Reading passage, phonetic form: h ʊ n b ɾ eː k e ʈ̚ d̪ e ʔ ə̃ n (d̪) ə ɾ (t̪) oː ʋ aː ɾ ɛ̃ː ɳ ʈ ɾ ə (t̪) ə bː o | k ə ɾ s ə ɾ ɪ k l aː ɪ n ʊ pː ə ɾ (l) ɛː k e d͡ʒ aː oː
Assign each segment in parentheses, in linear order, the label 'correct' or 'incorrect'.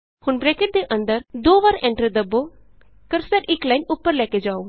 correct, incorrect, incorrect, correct

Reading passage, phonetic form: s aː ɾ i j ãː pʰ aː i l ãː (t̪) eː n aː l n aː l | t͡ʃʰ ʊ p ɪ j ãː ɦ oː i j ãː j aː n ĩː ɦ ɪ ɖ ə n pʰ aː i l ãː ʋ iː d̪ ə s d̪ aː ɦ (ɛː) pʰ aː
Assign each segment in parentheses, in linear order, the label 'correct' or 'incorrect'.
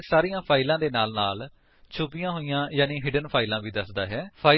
incorrect, correct

